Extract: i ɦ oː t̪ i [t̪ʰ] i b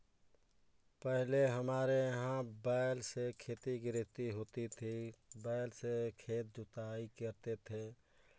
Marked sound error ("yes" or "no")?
no